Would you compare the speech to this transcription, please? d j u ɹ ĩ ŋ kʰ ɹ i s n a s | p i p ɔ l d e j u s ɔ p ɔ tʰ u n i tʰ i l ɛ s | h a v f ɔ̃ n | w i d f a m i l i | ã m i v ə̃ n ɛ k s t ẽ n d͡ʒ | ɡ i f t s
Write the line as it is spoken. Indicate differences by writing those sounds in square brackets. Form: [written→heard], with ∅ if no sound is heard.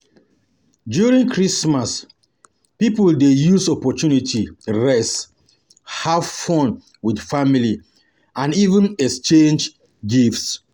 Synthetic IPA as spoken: d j u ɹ ĩ ŋ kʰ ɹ i s [n→m] a s | p i p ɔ l d e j u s ɔ p ɔ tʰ u n i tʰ i [l→ɹ] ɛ s | h a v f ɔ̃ n | w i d f a m i l i | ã [m→n] i v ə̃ n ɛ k s [t→t͡ʃ] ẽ n d͡ʒ | ɡ i f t s